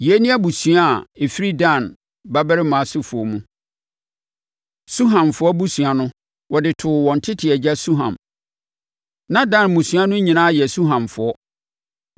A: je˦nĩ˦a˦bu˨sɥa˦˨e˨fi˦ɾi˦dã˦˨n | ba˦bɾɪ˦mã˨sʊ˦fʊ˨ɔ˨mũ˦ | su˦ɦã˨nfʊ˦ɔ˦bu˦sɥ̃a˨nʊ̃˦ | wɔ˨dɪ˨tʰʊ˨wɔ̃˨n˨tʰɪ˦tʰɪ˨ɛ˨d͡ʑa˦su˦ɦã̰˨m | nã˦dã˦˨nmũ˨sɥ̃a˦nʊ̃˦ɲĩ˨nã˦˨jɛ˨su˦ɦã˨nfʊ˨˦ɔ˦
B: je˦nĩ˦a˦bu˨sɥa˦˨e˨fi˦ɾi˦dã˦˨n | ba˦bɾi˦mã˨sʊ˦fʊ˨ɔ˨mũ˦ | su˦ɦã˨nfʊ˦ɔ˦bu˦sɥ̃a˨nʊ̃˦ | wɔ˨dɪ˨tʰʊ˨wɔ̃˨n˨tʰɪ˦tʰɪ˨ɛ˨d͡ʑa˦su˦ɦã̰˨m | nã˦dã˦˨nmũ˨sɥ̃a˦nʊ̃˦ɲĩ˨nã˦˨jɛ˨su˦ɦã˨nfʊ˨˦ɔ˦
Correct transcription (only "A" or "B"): A